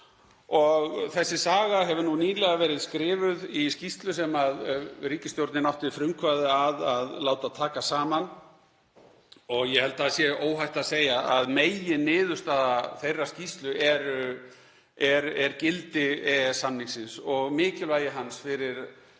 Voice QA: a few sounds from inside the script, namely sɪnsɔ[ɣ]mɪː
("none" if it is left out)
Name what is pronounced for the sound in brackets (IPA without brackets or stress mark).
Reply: ɣ